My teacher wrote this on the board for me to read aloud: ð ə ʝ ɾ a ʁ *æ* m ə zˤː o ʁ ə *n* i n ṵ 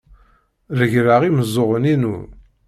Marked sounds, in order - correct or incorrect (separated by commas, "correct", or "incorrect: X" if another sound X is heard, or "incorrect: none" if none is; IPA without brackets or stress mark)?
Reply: incorrect: i, correct